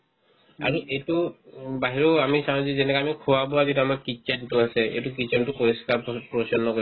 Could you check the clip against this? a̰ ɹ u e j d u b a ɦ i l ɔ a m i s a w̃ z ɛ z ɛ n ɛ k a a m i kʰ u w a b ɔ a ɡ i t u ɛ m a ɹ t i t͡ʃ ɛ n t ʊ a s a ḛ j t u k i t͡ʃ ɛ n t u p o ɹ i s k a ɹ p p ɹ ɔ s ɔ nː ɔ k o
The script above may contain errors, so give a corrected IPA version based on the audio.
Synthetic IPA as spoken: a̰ ɹ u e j t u b a ɦ i ɹ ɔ a m i s a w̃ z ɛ z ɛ n ɛ k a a m i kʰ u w a b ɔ a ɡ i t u a m a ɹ k i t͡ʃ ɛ n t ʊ a s ɛ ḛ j t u k i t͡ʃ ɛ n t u p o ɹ i s k a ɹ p p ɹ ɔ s ɔ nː ɔ k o